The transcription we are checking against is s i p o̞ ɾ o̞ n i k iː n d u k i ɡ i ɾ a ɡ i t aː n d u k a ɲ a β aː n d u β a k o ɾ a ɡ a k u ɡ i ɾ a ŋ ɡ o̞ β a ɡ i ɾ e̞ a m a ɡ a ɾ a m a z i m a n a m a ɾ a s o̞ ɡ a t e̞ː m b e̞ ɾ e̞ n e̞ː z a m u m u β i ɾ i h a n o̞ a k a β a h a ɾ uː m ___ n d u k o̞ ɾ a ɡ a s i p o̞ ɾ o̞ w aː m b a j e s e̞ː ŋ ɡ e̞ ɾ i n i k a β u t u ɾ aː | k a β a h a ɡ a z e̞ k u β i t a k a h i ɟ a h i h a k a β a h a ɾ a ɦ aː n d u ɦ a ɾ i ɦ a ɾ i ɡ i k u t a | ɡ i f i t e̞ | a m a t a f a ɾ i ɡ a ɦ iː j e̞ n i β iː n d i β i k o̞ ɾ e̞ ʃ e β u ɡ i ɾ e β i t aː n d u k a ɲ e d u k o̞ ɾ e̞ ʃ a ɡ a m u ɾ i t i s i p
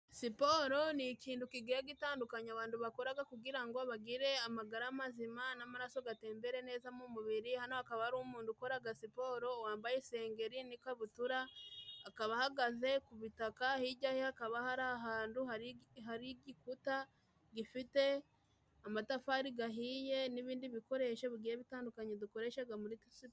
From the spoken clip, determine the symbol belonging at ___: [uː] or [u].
uː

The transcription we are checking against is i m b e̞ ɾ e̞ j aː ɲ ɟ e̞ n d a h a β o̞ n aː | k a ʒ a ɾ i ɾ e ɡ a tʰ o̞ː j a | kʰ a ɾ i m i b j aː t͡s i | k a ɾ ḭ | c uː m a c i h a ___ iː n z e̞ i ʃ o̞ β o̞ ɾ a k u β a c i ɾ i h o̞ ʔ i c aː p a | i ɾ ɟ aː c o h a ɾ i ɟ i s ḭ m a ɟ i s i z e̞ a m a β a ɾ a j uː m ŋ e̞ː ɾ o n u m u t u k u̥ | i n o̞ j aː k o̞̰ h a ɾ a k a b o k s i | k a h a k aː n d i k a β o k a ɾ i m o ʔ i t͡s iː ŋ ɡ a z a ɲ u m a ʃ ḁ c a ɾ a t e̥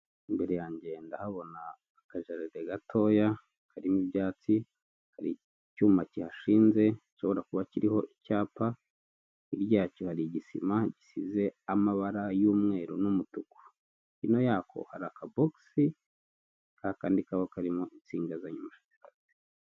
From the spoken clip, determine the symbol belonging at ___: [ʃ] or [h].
ʃ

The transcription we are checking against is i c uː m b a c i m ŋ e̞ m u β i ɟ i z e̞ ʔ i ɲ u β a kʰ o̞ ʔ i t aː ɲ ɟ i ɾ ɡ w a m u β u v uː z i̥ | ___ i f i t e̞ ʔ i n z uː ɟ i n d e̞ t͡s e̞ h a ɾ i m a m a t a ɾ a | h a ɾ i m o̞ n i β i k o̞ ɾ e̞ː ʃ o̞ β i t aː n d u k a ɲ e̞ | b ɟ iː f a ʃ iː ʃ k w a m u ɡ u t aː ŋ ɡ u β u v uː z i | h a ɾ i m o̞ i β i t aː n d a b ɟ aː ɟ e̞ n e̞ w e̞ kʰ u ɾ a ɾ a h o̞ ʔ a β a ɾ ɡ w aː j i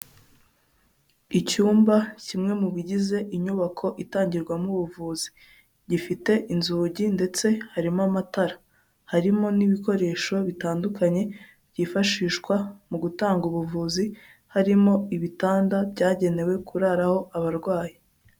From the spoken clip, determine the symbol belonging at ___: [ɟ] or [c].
ɟ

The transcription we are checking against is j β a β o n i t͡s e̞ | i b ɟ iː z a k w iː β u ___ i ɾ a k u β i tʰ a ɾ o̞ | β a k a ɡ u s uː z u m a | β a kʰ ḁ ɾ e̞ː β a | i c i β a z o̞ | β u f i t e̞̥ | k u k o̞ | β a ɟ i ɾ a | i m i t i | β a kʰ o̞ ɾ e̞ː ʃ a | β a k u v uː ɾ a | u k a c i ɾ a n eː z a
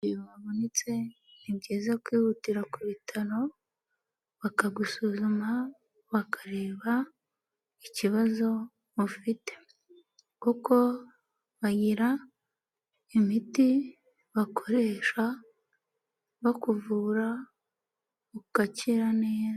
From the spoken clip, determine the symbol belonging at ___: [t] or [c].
t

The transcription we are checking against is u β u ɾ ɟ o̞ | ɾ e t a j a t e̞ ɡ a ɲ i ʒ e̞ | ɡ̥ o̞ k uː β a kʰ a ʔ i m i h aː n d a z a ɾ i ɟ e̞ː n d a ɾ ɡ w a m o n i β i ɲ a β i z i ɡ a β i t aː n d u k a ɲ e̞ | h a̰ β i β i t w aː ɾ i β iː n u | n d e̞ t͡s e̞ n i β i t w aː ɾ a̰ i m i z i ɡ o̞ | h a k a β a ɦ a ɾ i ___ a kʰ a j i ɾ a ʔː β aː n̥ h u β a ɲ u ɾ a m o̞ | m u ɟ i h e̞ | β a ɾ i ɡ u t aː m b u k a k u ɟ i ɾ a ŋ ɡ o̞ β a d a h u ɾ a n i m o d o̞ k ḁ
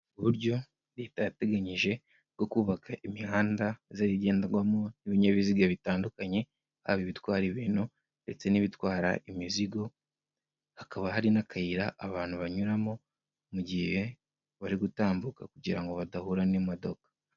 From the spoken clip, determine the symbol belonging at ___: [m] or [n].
n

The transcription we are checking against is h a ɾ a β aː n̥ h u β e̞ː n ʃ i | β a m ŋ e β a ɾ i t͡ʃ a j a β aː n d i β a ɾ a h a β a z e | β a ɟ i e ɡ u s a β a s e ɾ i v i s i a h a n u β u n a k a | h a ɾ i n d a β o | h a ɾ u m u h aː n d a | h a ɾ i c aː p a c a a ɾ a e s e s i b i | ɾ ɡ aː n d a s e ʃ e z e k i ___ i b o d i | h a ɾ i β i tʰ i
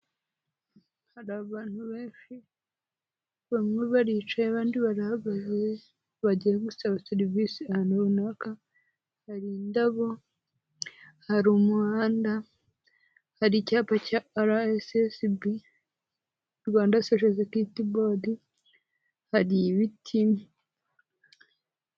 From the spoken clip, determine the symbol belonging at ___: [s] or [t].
t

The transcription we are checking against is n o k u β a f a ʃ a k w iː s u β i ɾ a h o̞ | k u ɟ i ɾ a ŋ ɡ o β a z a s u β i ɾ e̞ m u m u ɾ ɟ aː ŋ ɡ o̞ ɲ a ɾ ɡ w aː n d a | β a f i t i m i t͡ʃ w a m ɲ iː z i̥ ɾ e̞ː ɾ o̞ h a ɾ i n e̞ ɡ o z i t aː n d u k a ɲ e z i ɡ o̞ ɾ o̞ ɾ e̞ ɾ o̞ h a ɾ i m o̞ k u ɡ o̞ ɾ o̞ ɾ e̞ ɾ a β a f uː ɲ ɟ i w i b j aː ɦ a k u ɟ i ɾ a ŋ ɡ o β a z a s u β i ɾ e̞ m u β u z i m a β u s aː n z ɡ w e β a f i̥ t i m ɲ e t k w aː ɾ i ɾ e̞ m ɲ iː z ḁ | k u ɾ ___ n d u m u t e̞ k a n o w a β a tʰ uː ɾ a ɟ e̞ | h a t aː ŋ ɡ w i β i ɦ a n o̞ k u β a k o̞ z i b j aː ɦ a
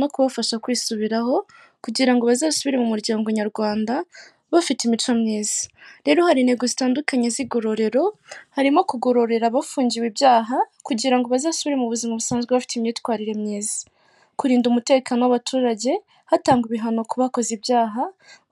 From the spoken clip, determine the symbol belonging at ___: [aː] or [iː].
iː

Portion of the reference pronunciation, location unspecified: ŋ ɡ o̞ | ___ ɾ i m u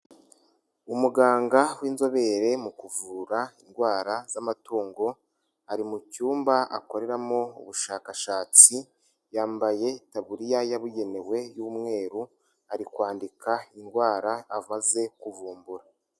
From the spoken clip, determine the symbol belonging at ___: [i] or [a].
a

